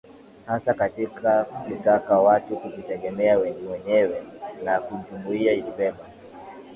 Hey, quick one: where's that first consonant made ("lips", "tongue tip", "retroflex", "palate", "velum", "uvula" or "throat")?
throat